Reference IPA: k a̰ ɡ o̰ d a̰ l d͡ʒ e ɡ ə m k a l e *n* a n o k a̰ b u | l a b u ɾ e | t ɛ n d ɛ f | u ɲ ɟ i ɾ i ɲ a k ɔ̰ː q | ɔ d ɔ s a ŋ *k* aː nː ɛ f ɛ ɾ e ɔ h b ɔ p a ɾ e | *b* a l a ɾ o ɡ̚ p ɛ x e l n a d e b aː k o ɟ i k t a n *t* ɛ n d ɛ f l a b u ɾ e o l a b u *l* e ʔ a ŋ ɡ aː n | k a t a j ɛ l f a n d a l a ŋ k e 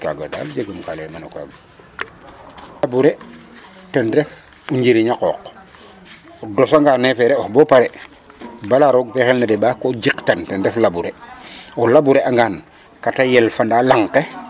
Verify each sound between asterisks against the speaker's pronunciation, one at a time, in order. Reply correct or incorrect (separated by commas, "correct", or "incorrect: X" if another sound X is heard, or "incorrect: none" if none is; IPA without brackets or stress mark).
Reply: incorrect: m, incorrect: ɡ, correct, correct, incorrect: ɾ